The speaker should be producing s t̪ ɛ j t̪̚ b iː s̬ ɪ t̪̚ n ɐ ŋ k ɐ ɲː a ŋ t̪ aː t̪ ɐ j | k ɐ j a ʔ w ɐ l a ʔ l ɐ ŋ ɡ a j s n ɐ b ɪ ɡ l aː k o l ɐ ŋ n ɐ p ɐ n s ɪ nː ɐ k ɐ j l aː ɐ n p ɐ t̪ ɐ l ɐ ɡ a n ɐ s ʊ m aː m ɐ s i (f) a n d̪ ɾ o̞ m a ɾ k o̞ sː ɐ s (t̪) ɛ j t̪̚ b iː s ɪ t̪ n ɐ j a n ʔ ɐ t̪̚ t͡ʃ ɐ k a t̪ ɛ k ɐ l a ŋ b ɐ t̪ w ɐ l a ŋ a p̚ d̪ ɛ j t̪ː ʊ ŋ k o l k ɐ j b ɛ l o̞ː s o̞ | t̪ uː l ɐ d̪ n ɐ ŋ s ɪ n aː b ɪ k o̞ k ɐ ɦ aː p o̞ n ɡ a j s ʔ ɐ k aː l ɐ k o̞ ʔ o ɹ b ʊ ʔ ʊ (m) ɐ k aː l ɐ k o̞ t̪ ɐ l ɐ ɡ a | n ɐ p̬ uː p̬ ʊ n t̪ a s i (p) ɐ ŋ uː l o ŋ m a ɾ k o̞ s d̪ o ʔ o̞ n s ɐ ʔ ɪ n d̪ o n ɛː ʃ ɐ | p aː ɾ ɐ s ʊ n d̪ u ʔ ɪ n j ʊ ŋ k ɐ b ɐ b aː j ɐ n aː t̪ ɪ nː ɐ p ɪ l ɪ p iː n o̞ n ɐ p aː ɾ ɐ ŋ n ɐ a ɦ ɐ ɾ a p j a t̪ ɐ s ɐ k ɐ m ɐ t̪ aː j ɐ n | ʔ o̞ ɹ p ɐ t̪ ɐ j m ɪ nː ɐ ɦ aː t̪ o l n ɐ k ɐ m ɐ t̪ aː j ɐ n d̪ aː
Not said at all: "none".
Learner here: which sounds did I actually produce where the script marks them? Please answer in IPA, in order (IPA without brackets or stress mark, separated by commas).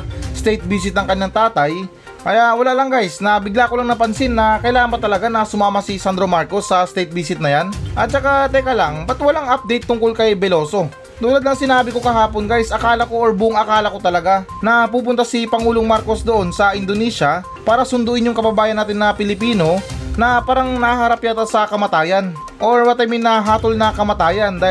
s, t̪, ŋ, p